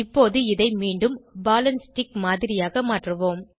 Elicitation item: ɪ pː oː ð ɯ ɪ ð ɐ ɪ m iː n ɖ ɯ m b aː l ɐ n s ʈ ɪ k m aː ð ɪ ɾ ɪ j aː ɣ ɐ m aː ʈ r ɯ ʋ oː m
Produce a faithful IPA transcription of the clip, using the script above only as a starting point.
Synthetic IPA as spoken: ɪ pː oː ð ɯ ɪ ð ɐ ɪ m iː ɳ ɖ ɯ m b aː l ɐ n s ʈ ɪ k m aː ð ɪ ɾ ɪ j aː ɣ ɐ m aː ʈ r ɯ ʋ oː m